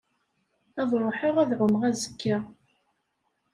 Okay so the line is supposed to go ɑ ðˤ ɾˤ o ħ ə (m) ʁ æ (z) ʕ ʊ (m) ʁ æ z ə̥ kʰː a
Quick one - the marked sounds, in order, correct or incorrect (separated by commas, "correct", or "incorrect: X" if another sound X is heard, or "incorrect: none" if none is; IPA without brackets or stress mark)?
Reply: incorrect: none, incorrect: ð, correct